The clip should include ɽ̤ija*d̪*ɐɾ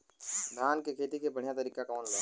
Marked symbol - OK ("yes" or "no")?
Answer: no